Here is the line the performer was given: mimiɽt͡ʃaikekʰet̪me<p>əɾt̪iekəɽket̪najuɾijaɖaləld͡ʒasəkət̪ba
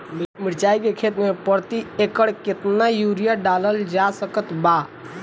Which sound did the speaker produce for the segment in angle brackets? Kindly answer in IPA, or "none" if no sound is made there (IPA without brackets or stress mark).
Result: p